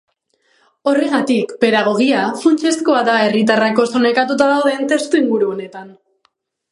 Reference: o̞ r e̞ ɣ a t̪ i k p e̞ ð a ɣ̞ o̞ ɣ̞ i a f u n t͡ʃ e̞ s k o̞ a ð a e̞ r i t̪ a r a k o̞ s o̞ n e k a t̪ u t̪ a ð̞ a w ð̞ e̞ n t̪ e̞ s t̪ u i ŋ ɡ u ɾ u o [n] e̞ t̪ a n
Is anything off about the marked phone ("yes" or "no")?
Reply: no